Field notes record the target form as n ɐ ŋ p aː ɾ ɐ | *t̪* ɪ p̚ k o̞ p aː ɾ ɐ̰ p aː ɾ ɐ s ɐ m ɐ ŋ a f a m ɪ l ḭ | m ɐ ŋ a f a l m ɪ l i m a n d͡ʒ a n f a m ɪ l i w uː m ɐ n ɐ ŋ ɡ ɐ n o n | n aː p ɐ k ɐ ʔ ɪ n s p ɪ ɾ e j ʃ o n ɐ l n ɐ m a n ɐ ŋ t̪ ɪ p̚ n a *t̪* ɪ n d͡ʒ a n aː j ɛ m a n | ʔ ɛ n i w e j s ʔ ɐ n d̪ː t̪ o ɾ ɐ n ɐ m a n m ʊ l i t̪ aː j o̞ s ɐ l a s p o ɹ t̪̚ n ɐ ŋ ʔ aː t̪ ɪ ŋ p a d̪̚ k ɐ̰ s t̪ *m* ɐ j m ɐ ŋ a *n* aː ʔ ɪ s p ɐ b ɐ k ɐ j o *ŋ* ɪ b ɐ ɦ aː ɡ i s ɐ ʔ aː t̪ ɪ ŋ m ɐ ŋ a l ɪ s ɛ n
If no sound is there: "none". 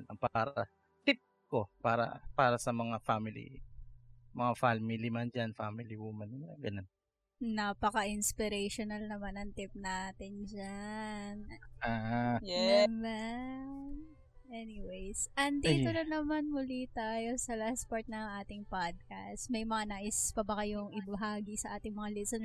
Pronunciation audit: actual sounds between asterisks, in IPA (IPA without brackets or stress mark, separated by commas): t̪, t̪, m, n, ŋ